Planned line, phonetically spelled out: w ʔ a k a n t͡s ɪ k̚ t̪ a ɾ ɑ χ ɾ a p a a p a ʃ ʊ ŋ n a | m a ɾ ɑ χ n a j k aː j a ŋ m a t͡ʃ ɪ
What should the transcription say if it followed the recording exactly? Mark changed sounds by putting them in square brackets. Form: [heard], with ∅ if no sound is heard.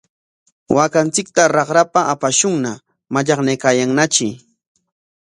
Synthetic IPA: w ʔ a k a n t͡s ɪ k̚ t̪ a ɾ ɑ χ ɾ a p a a p a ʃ ʊ ŋ n a | m a [ʎ] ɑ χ n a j k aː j a ŋ [n] a t͡ʃ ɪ